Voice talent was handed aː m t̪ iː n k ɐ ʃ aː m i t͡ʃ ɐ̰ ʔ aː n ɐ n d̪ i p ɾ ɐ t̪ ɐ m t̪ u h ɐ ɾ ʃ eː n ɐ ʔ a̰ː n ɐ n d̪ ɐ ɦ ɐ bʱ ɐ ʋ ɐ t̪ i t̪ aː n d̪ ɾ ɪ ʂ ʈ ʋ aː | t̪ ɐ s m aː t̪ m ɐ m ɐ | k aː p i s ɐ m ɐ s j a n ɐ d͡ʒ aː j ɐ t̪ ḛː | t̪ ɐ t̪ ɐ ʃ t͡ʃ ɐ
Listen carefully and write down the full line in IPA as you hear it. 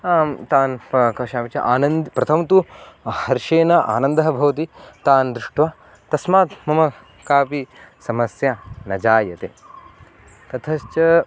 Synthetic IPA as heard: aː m t̪ aː n k ɐ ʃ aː m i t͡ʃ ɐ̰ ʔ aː n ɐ n d̪ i p ɾ ɐ t̪ʰ ɐ m t̪ u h ɐ ɾ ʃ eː n ɐ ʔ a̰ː n ɐ n d̪ ɐ ɦ ɐ bʱ ɐ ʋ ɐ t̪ i t̪ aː n d̪ ɾ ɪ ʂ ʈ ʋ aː | t̪ ɐ s m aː t̪ m ɐ m ɐ | k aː p i s ɐ m ɐ s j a n ɐ d͡ʒ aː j ɐ t̪ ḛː | t̪ ɐ t̪ʰ ɐ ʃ t͡ʃ ɐ